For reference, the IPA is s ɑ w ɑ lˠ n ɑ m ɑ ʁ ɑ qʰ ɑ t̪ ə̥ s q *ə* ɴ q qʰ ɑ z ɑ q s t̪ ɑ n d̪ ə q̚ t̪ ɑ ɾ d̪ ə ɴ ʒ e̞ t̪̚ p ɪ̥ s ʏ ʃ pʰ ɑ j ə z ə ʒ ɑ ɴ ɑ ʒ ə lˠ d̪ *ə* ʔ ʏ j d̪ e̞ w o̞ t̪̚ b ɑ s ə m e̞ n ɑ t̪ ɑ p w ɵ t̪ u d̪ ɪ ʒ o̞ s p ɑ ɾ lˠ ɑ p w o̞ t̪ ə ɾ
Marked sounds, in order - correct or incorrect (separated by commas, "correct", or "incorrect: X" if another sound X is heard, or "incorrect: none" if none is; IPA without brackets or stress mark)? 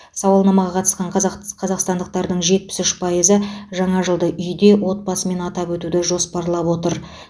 incorrect: ɑ, correct